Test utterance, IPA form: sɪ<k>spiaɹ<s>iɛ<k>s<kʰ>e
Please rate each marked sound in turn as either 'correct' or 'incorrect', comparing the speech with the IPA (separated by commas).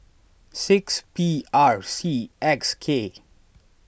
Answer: correct, correct, correct, correct